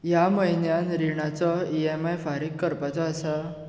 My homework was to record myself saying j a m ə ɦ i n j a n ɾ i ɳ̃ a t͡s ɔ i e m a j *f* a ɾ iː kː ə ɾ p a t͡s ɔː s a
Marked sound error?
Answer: no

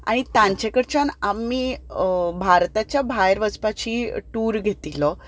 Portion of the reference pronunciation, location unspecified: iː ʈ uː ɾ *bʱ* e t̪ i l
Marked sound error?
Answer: yes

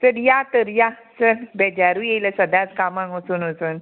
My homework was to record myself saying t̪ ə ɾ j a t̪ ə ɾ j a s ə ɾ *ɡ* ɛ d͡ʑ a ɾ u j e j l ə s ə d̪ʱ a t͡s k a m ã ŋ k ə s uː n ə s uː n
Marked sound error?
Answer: yes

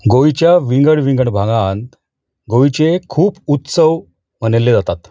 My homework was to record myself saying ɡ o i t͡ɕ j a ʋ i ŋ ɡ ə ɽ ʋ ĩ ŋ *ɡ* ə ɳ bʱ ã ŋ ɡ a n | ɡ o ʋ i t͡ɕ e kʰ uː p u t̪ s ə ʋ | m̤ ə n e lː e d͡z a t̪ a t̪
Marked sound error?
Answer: no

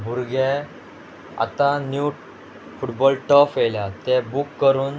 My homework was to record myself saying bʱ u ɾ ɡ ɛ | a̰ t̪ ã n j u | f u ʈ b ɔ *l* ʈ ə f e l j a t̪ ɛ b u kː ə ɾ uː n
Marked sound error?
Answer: no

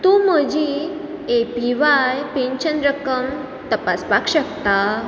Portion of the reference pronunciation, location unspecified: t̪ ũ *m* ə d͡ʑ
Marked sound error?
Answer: no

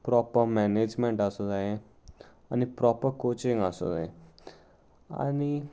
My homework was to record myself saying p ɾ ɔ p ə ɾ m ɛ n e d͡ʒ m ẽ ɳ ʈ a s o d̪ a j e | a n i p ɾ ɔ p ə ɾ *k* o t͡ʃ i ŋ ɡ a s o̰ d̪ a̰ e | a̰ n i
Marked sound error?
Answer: no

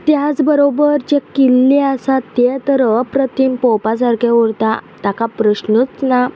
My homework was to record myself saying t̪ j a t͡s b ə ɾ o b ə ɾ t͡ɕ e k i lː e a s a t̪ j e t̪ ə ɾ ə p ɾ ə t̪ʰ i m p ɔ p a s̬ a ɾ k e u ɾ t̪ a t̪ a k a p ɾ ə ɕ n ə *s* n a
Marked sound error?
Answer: yes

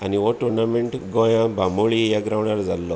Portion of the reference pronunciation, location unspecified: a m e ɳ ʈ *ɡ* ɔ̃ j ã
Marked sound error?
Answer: no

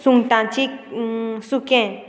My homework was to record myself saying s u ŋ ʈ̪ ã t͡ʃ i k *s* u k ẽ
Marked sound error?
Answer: no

